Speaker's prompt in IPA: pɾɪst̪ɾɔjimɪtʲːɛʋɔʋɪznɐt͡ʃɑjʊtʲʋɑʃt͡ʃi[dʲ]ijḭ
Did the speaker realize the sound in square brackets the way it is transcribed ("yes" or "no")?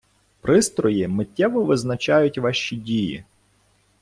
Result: yes